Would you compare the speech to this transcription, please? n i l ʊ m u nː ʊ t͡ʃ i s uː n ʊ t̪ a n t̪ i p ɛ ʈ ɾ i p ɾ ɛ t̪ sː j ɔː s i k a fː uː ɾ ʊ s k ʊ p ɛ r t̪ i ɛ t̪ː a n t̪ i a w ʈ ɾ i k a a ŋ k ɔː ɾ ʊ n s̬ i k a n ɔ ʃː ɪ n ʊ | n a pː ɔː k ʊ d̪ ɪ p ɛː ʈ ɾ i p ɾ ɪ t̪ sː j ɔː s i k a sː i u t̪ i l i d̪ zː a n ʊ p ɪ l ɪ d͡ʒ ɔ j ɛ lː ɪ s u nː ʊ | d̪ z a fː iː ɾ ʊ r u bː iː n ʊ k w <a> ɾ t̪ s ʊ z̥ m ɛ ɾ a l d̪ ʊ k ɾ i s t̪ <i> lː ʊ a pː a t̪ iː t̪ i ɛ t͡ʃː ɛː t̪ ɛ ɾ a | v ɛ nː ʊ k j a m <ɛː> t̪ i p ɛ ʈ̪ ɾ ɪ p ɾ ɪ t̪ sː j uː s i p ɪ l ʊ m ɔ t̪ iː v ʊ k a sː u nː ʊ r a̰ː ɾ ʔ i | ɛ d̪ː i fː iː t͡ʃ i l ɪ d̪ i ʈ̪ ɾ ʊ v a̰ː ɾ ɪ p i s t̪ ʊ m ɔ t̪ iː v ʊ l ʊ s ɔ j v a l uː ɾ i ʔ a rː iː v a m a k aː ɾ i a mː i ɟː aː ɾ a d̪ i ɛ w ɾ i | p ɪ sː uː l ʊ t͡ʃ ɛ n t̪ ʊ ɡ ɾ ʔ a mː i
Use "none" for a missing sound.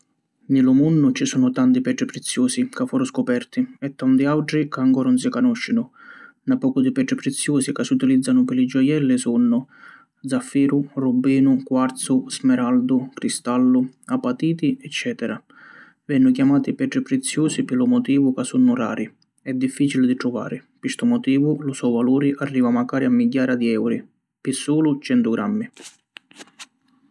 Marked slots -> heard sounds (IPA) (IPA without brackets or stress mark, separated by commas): a, a, aː